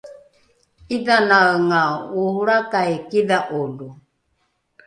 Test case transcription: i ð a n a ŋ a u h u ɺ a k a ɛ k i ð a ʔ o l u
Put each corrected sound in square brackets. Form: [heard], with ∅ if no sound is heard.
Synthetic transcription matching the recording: i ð a n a ŋ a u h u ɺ a k a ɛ k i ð a ʔ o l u